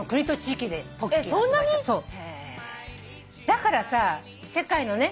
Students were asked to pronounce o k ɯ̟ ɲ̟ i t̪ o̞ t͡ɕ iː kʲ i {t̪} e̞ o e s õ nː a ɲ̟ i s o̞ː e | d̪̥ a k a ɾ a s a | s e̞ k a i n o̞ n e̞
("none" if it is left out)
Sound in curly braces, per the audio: d̪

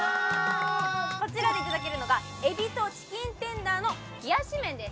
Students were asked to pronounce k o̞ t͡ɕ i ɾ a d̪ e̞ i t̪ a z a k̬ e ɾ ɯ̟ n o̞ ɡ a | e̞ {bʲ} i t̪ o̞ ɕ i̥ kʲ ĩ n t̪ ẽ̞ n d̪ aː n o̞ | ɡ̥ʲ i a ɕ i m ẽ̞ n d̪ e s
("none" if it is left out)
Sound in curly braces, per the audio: bʲ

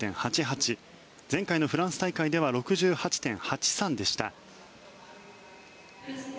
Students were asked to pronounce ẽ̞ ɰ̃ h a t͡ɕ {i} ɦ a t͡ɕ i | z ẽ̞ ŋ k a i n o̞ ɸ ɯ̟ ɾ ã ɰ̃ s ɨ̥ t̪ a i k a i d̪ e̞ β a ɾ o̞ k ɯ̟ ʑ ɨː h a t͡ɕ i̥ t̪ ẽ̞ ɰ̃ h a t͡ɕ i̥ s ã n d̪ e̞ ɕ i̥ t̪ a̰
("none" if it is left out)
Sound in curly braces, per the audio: i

